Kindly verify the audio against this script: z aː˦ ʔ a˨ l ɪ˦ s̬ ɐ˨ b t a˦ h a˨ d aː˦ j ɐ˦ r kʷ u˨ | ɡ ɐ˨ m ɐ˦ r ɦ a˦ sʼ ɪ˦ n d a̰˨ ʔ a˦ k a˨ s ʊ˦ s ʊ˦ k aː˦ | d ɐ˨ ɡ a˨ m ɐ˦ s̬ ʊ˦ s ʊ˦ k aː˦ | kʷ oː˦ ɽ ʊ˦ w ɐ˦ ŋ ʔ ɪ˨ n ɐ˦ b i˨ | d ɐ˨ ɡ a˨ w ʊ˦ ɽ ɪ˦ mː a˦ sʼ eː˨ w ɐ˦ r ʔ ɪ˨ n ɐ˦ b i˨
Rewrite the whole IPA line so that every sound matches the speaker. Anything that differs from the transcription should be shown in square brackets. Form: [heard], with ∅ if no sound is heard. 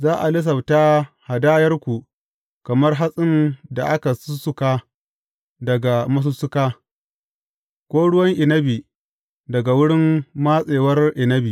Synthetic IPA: z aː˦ ʔ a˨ l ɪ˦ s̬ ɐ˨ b t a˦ h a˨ d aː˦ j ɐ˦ r kʷ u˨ | [k] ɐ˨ m ɐ˦ r ɦ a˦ sʼ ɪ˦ n d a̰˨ ʔ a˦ k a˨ s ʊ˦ s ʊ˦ k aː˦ | d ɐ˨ ɡ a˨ m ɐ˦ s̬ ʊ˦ s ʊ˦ k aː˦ | kʷ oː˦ ɽ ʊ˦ w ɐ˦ ŋ ʔ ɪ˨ n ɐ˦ b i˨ | d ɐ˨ ɡ a˨ w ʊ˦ ɽ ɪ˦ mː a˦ sʼ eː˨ w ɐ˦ r ʔ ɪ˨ n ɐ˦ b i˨